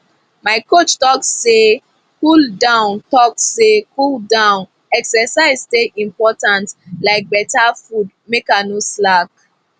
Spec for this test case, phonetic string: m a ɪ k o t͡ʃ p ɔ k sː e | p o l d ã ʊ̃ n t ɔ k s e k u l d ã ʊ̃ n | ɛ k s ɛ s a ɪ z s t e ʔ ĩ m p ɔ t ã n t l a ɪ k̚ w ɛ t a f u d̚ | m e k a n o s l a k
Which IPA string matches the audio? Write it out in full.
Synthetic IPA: m a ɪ k o t͡ʃ t ɔ k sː e | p u l d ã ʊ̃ n t ɔ k s e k u l d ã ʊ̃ n | ɛ k s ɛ s a ɪ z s t e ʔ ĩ m p ɔ t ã n t l a ɪ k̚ b ɛ t a f u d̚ | m e k a n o s l a k